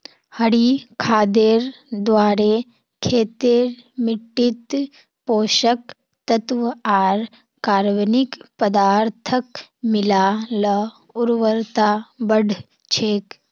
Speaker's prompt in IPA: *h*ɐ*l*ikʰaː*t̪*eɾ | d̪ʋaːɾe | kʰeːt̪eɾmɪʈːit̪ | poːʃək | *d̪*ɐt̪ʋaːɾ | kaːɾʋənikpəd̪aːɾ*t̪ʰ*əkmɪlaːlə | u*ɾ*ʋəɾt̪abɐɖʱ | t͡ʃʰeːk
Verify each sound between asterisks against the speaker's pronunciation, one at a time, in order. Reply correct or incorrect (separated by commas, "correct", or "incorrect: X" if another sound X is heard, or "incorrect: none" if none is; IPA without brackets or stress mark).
correct, incorrect: ɽ, incorrect: d̪, incorrect: t̪, correct, correct